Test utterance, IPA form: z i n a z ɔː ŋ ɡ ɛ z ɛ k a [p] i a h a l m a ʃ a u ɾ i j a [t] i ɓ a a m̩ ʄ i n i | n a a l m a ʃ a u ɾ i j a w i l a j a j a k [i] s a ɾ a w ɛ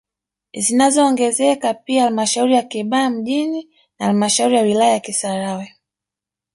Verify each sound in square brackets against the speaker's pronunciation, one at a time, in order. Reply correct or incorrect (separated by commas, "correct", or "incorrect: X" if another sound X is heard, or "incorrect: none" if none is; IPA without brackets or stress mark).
correct, incorrect: k, correct